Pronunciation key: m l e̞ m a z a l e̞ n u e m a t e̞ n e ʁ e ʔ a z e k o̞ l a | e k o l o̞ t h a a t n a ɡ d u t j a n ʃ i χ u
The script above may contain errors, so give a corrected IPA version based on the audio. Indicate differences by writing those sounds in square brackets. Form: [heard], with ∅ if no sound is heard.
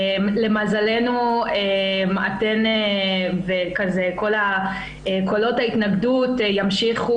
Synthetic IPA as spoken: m l e̞ m a z a l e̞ n u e m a t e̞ n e [v] e [k] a z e k o̞ l a | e k o l o̞ t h a [i] t n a ɡ d u t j a [m] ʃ i χ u